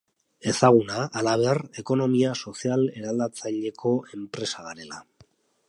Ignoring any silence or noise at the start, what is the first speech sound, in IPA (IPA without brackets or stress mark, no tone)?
e̞